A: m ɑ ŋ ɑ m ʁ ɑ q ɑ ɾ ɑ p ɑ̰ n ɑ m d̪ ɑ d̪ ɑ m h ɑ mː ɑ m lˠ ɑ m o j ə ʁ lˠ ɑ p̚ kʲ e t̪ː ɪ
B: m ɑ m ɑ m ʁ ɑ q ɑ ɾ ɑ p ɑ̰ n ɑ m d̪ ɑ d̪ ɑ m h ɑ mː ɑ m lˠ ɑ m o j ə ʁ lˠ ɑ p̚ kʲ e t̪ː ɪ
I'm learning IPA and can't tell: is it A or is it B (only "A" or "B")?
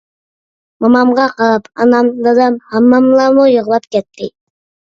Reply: B